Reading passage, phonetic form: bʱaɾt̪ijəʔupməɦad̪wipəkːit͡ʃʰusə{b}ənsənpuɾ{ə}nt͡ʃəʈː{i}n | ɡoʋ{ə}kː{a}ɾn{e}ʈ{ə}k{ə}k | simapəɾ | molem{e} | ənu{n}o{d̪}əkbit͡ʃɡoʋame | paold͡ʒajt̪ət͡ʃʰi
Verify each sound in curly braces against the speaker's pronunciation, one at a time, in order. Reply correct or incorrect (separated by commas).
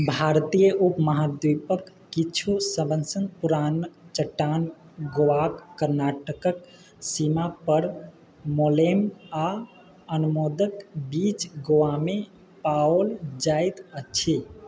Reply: correct, incorrect, incorrect, incorrect, incorrect, incorrect, correct, correct, incorrect, incorrect, correct